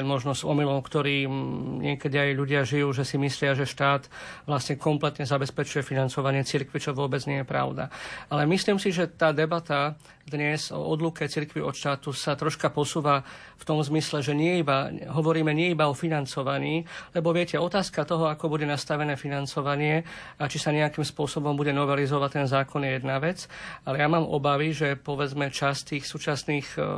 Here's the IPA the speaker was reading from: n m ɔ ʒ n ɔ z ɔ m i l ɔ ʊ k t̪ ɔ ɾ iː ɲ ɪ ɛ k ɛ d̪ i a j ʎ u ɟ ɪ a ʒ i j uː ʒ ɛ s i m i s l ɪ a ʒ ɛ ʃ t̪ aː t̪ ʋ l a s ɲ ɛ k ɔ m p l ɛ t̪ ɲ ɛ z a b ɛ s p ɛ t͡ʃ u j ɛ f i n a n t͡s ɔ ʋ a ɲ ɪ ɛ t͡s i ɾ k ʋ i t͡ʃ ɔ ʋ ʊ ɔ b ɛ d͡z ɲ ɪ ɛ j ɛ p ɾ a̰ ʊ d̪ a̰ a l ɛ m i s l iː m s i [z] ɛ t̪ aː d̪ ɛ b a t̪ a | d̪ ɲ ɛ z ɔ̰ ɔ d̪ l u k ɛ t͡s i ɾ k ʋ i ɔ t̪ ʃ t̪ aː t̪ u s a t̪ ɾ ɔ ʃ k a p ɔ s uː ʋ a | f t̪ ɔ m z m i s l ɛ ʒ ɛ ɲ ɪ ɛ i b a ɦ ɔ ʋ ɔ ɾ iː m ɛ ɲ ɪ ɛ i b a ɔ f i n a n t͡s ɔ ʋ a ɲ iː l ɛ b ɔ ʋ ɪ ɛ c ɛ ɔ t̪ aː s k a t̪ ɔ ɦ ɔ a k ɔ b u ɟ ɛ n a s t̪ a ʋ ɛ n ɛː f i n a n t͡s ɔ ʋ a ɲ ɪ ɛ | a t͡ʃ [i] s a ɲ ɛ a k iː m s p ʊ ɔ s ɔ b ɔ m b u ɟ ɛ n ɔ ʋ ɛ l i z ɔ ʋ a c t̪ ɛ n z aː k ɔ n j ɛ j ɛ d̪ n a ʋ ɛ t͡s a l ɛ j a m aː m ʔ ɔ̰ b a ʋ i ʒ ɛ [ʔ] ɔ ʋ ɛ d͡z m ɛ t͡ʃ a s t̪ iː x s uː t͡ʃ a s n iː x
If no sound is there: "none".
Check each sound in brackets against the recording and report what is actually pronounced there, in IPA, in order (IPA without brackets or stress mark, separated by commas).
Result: ʒ, i, p